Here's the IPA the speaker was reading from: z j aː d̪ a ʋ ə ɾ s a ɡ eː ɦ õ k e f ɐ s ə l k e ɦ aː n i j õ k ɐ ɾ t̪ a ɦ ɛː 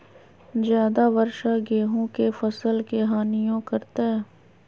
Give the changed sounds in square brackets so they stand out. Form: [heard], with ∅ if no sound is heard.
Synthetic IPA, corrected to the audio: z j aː d̪ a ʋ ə ɾ [ʃ] a ɡ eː ɦ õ k e f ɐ s ə l k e ɦ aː n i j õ k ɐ ɾ t̪ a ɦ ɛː